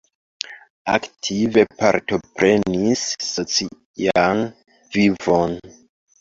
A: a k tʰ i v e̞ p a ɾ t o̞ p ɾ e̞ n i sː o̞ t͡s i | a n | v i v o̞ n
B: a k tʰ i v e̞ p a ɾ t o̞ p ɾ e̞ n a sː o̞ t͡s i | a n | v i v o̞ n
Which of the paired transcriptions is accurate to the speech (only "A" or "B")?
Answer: A